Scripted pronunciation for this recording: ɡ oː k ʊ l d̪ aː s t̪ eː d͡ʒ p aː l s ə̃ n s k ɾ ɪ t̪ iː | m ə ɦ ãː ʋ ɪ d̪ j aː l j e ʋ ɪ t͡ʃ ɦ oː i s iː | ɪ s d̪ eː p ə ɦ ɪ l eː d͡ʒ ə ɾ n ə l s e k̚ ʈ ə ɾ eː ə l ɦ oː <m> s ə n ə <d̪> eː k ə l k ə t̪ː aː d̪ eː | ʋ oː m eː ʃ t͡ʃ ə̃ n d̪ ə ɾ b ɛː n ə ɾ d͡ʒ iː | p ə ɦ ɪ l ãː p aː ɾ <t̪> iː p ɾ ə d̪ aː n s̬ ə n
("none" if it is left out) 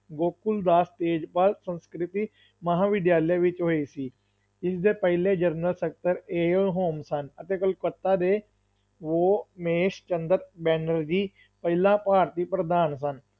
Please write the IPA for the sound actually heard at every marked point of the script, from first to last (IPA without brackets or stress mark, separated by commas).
m, t̪, t̪